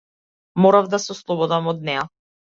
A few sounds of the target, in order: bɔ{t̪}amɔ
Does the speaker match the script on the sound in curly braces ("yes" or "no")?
no